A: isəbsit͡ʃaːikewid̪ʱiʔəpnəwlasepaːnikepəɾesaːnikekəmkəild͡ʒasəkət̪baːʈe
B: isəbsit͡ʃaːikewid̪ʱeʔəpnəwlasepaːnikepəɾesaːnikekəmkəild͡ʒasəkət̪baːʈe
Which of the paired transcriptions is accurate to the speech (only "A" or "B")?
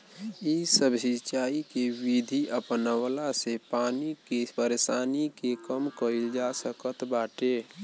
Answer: A